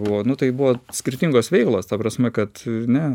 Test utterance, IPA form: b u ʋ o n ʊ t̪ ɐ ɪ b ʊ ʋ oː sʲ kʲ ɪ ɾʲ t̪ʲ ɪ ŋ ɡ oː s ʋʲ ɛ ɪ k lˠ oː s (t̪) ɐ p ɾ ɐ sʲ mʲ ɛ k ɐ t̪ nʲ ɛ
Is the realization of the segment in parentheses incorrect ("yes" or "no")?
no